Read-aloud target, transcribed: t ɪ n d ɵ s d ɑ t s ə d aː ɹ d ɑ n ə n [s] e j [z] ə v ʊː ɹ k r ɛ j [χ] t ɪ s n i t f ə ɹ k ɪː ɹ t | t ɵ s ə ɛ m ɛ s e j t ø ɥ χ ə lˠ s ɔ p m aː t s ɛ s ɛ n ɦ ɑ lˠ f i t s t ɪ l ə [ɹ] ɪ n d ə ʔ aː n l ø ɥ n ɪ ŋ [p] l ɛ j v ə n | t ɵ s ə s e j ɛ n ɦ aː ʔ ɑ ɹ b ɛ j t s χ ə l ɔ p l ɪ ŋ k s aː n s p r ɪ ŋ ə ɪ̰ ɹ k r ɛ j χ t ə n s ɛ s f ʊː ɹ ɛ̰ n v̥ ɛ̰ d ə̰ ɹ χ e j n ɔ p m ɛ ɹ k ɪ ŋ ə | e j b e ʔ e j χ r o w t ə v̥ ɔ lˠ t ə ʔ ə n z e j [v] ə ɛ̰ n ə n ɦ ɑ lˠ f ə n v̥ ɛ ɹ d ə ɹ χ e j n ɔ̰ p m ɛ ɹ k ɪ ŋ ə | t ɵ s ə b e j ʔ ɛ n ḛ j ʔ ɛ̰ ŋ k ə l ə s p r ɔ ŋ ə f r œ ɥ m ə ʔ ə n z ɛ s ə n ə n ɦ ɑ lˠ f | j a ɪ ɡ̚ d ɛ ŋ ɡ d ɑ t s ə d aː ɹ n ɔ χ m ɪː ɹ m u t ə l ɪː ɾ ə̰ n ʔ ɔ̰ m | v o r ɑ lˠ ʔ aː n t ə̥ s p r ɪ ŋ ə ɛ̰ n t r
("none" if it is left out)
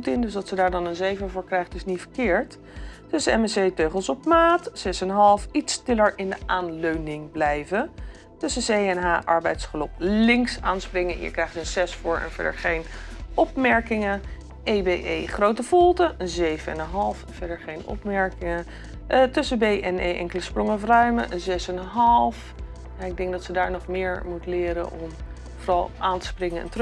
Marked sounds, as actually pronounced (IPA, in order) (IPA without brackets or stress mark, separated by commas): z, v, χ, ɹ, b, v